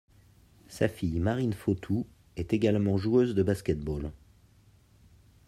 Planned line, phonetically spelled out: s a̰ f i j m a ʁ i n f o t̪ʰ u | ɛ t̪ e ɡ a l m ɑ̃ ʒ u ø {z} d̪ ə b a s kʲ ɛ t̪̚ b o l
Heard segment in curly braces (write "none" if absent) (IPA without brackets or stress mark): z